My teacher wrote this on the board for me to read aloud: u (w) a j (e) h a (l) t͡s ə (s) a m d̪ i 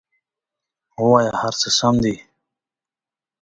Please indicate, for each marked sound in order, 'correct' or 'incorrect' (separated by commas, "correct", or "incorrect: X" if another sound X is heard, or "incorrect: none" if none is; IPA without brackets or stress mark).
correct, incorrect: a, incorrect: ɾ, correct